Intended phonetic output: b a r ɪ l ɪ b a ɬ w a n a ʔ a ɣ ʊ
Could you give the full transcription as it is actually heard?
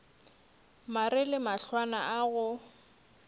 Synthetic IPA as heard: m a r ɪ l ɪ m a ɬ w a n a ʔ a ɣ ʊ